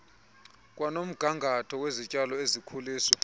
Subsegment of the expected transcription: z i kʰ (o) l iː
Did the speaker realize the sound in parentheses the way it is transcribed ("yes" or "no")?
no